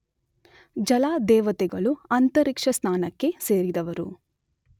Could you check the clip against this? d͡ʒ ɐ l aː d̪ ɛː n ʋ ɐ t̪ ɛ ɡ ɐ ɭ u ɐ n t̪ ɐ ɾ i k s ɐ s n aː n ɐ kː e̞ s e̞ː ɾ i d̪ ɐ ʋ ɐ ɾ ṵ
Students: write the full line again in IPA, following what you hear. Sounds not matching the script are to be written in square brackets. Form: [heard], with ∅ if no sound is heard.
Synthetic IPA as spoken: d͡ʒ ɐ l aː d̪ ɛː [∅] ʋ ɐ t̪ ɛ ɡ ɐ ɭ u ɐ n t̪ ɐ ɾ i k [ʂ] ɐ s n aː n ɐ kː e̞ s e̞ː ɾ i d̪ ɐ ʋ ɐ ɾ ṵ